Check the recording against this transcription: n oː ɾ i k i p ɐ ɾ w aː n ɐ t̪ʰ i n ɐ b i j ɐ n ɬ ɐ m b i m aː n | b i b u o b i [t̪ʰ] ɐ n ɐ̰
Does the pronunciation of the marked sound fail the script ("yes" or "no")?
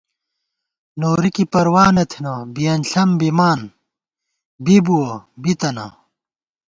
yes